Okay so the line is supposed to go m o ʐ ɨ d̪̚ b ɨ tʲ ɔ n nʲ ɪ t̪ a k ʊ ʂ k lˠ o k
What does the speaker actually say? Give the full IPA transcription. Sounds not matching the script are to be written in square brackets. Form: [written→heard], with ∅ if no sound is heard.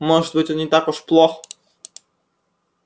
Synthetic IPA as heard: m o ʐ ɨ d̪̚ b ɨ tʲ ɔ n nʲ ɪ t̪ a k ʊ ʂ [k→p] lˠ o [k→x]